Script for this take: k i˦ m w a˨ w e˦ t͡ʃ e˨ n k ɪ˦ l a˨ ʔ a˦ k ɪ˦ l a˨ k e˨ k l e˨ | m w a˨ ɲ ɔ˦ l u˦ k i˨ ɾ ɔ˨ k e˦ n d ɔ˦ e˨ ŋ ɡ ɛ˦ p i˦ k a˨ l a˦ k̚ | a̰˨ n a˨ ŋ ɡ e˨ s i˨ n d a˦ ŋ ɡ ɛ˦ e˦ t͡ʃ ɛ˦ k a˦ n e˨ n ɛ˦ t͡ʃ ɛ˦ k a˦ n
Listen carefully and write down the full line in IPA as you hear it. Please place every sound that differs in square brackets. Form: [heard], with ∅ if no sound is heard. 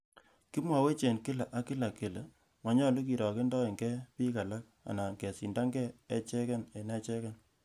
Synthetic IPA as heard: k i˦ m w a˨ w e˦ t͡ʃ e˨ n k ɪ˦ l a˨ ʔ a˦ k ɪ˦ l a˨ k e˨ [∅] l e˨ | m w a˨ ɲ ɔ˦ l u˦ k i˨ ɾ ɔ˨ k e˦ n d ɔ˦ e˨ ŋ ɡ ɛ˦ p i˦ k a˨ l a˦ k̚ | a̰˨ n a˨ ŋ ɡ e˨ s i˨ n d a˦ ŋ ɡ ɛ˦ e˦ t͡ʃ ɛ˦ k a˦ n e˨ n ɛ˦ t͡ʃ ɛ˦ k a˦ n

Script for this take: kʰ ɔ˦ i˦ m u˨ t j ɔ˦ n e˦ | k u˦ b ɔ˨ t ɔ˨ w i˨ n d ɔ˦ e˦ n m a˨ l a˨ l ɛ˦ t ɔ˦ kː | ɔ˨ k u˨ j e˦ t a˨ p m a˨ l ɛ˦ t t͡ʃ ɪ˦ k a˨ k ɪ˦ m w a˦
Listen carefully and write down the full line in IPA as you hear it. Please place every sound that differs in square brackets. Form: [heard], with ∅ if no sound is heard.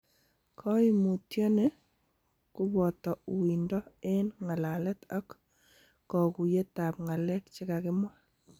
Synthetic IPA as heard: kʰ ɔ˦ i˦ m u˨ t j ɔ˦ n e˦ | k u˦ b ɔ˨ t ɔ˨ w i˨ n d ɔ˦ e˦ n [ŋ] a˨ l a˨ l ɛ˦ t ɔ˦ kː | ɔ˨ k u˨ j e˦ t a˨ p [ŋ] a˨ l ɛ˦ t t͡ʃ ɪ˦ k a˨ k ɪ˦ m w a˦

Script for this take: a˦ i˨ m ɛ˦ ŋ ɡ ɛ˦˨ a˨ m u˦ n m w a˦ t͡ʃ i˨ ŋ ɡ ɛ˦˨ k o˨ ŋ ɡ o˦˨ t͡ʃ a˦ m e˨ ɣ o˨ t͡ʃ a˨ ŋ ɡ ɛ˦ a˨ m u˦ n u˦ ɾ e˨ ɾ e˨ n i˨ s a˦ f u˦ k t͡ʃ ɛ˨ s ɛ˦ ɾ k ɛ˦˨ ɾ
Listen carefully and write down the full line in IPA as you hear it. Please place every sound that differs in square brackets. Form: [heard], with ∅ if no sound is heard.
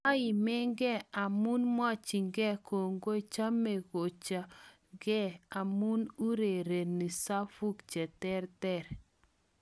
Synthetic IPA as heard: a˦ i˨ m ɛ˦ ŋ ɡ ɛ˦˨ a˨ m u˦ n m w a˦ t͡ʃ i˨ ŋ ɡ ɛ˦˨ k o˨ ŋ ɡ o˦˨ t͡ʃ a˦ m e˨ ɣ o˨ t͡ʃ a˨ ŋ ɡ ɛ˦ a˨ m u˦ n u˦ ɾ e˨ ɾ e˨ n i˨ s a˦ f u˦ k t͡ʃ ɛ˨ [t] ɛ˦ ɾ [t] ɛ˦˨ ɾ

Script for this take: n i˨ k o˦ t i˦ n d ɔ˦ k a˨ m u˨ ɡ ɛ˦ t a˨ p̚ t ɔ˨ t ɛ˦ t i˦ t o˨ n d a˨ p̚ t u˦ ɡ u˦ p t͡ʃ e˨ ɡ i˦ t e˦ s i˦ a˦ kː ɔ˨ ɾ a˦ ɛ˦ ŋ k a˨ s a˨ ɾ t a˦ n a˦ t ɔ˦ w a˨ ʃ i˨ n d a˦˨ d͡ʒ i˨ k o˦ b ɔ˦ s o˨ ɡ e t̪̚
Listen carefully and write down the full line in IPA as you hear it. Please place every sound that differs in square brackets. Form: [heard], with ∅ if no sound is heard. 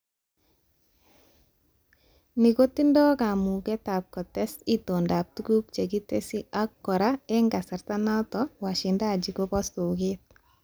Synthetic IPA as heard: n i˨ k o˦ t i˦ n d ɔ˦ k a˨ m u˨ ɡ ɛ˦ t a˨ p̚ [k] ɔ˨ t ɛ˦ [s] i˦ t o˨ n d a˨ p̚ t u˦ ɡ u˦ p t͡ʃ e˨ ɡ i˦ t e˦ s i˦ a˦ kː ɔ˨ ɾ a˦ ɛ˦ ŋ [ɡ] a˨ s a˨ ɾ t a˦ n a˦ t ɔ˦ w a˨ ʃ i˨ n d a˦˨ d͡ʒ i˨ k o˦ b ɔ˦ s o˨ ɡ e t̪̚

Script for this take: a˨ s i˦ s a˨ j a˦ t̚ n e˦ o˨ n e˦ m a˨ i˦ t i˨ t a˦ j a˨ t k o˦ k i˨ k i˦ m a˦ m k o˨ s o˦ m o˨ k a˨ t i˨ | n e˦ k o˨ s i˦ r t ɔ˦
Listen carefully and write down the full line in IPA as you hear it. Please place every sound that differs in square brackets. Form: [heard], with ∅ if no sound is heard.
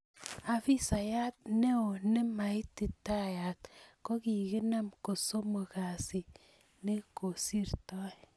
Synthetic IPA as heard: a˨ [f] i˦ s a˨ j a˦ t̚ n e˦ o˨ n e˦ m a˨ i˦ t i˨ t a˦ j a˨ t k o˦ k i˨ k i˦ [n] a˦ m k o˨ s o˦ m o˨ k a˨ [s] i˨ | n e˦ k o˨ s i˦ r t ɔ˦

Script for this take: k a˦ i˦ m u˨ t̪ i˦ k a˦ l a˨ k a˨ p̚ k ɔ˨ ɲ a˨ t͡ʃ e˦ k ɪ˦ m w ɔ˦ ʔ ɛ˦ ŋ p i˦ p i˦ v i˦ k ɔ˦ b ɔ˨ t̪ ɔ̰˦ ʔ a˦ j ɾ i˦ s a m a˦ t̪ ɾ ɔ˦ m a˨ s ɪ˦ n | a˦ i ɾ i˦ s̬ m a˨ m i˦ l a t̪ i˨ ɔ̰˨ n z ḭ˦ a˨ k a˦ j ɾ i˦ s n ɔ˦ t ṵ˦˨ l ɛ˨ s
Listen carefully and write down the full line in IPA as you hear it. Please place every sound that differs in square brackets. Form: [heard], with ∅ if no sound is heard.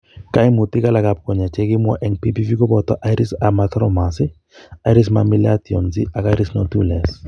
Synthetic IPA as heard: k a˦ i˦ m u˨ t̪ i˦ k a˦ l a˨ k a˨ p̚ k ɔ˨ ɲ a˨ t͡ʃ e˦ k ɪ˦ m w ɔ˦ ʔ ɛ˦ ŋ p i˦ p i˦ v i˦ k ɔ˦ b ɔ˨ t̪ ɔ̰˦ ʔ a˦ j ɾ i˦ s a m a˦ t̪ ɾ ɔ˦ m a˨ s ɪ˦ [∅] | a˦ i ɾ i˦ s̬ m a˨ m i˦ l a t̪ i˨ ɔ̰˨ n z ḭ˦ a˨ k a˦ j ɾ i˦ s n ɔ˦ t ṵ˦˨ l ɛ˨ s

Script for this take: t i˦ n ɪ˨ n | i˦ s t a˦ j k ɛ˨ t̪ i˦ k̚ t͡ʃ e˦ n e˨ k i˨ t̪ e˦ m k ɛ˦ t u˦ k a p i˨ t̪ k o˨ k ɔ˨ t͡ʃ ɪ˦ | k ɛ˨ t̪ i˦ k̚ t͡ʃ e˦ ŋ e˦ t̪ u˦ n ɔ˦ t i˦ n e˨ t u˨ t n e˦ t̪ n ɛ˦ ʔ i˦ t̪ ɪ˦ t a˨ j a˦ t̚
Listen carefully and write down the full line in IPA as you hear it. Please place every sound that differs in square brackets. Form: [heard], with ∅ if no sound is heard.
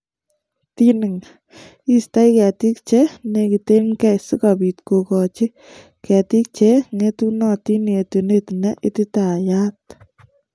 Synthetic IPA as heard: t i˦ n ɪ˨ [ŋ] | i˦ s t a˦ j k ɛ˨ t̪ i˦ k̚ t͡ʃ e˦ n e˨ k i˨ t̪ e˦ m k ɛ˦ [s] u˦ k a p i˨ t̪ k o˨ k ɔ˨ t͡ʃ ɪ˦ | k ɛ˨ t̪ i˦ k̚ t͡ʃ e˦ ŋ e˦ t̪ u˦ n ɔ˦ t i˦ n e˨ t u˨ [∅] n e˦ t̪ n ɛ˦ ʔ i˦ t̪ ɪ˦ t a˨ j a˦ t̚

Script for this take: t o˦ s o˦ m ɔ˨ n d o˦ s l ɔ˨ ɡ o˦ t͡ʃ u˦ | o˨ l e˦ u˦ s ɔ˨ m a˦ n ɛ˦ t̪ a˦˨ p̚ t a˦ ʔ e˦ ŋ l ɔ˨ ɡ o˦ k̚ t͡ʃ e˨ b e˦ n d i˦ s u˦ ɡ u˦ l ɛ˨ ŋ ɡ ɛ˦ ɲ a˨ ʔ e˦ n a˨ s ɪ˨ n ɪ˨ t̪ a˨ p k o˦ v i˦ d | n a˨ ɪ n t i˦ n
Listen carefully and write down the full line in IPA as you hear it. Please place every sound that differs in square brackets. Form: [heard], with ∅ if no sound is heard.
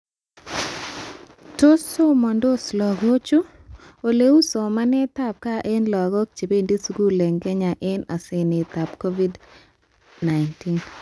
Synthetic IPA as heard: t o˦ s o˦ m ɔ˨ n d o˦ s l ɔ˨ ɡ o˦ t͡ʃ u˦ | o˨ l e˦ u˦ s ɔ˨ m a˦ n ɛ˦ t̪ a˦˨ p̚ [k] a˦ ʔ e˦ [n] l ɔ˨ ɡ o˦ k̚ t͡ʃ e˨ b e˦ n d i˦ s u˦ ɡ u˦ l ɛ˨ ŋ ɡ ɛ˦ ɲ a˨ ʔ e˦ n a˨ s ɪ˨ n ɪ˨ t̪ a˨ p k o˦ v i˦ d | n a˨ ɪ n t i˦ n

